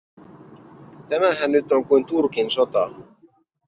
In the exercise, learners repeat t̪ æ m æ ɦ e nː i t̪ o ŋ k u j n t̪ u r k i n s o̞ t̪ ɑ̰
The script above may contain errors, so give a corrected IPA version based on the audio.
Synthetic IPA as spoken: t̪ æ m æ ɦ æ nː y t̪ o ŋ k u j n t̪ u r k i n s o̞ t̪ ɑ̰